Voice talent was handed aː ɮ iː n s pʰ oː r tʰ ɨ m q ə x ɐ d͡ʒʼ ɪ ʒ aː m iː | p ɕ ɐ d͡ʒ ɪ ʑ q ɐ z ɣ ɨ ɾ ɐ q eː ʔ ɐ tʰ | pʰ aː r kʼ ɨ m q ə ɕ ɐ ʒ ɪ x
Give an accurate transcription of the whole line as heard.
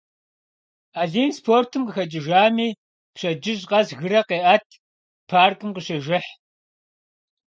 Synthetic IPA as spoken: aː ɮ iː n s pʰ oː r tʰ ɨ m q ə x ɐ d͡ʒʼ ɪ ʒ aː m iː | p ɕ ɐ d͡ʒ ɪ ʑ q ɐ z ɣ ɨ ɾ ɐ q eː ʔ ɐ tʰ | pʰ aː r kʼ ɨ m q ə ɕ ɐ ʒ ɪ ħ